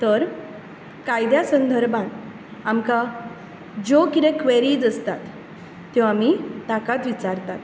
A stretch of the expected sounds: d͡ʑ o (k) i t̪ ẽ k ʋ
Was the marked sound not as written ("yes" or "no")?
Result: no